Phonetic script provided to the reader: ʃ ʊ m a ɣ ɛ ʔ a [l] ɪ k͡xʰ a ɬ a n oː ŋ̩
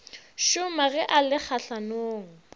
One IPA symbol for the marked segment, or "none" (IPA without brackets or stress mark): l